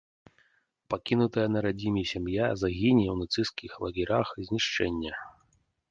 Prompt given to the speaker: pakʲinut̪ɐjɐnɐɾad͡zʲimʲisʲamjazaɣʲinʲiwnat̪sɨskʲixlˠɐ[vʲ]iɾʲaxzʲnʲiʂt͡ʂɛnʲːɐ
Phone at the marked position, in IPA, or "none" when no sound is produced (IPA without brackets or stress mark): ɣʲ